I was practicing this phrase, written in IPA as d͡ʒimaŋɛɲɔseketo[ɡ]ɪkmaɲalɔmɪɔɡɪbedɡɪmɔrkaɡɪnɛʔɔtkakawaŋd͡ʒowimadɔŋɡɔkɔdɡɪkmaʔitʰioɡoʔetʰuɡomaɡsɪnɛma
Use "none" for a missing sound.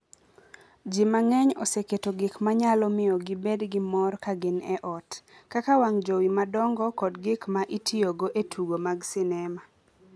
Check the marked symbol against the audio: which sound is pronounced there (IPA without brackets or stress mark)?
ɡ